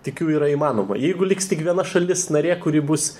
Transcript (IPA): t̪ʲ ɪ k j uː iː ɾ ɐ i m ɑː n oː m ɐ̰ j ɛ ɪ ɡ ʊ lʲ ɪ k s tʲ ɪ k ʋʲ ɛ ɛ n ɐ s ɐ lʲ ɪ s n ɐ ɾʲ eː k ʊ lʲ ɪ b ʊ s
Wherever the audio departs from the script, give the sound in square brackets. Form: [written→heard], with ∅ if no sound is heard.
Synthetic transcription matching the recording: t̪ʲ ɪ k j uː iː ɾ ɐ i m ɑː n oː m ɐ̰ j ɛ ɪ ɡ ʊ lʲ ɪ k s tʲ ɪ k ʋʲ [ɛ→i] ɛ n ɐ [s→ʃ] ɐ lʲ ɪ s n ɐ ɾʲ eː k ʊ [lʲ→ɾʲ] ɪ b ʊ s

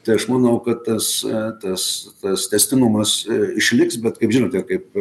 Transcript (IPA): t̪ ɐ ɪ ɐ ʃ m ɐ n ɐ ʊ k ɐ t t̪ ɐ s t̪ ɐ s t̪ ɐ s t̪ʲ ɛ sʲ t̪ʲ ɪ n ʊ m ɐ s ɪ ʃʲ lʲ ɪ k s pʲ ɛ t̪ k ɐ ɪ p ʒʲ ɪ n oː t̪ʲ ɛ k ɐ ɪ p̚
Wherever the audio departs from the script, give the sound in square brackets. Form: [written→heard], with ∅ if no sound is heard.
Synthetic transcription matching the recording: t̪ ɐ ɪ ɐ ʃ m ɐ n ɐ ʊ k ɐ t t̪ ɐ s t̪ ɐ s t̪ ɐ s t̪ʲ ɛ sʲ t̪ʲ ɪ n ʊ m ɐ s ɪ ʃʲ lʲ ɪ k s [pʲ→bʲ] ɛ t̪ k ɐ ɪ p ʒʲ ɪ n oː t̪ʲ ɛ k ɐ ɪ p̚

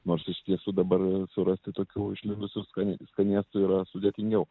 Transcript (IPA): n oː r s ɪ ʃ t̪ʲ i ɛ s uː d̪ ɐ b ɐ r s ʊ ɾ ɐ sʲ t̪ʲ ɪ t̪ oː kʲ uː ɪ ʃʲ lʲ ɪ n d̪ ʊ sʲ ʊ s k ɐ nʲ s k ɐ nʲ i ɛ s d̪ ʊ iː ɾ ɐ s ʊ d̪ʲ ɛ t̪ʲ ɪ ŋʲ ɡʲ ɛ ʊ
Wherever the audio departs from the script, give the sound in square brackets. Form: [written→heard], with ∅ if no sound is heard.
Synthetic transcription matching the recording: n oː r s ɪ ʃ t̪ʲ i ɛ s uː d̪ ɐ b ɐ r s ʊ ɾ ɐ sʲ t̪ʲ ɪ t̪ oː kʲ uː ɪ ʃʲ lʲ ɪ n d̪ ʊ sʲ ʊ s k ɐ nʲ s k ɐ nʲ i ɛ s [d̪→t̪] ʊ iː ɾ ɐ s ʊ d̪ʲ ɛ t̪ʲ ɪ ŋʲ ɡʲ ɛ ʊ

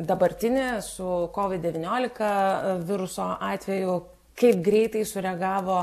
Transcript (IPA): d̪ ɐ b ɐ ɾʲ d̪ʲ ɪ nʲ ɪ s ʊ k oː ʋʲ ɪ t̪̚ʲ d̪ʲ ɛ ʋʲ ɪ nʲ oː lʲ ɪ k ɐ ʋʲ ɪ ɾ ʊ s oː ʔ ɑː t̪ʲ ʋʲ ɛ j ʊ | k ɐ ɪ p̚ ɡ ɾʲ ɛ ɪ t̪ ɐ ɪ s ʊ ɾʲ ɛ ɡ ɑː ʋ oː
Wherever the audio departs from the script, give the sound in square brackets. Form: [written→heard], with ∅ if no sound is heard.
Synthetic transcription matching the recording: d̪ ɐ b ɐ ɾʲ [d̪ʲ→t̪ʲ] ɪ nʲ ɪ s ʊ k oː ʋʲ ɪ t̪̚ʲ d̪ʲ ɛ ʋʲ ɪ nʲ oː lʲ ɪ k ɐ ʋʲ ɪ ɾ ʊ s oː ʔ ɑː t̪ʲ ʋʲ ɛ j ʊ | k ɐ ɪ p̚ ɡ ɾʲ ɛ ɪ t̪ ɐ ɪ s ʊ ɾʲ ɛ ɡ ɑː ʋ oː

